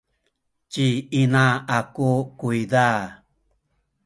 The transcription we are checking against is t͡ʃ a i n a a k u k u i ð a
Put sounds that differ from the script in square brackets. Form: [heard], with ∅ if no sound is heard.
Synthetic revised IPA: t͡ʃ [i] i n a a k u k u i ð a